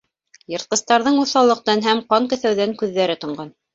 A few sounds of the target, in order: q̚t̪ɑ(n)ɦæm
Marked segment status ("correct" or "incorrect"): correct